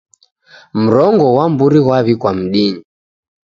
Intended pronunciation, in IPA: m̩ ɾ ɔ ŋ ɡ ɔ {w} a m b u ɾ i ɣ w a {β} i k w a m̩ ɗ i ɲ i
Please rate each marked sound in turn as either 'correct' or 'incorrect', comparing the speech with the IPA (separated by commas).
correct, correct